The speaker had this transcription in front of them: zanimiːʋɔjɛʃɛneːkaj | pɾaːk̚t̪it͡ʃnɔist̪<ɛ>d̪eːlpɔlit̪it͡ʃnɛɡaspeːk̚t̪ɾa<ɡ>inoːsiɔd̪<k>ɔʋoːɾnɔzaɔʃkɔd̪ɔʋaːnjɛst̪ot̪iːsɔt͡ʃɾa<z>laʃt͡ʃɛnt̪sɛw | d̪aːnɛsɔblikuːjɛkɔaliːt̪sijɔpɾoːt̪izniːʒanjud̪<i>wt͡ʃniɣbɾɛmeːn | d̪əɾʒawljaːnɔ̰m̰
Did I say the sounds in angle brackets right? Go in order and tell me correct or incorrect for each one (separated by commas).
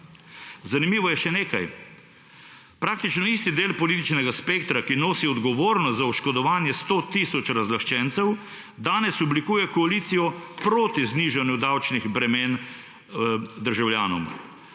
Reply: incorrect, incorrect, incorrect, correct, incorrect